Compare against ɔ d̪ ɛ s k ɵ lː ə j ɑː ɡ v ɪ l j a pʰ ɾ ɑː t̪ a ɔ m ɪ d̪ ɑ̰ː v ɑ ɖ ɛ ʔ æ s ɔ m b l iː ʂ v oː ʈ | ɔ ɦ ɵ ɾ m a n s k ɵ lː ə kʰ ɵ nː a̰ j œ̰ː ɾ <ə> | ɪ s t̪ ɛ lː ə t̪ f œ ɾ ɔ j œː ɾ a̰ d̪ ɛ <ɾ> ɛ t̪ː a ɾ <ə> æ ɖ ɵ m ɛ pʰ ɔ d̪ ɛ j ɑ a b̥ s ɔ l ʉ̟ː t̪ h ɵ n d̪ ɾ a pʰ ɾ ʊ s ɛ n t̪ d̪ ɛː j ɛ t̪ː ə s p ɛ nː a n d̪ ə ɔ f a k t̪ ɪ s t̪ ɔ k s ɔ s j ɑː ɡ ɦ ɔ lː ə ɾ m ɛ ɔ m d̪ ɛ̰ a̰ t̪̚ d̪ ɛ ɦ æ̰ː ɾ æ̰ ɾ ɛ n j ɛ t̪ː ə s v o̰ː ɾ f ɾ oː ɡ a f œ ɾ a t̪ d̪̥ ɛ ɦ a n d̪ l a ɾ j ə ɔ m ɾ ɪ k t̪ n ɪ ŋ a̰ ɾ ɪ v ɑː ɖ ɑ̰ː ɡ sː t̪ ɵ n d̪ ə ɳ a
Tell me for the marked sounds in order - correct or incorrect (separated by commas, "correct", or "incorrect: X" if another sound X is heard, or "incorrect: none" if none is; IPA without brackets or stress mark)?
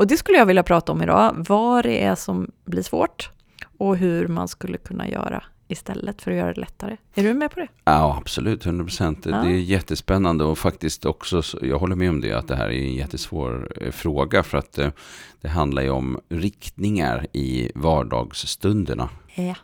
incorrect: a, incorrect: l, correct